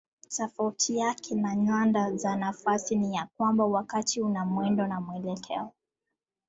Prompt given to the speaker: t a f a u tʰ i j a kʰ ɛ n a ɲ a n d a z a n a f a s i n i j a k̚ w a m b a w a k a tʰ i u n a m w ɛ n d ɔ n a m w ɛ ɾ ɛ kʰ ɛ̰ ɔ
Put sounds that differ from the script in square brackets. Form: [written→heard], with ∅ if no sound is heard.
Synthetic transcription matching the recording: t a f a u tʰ i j a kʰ ɛ n a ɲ a n d a z a n a f a s i n i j a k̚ w a m b a w a k a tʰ i u n a m w ɛ n d ɔ n a m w ɛ [ɾ→l] ɛ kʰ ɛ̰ ɔ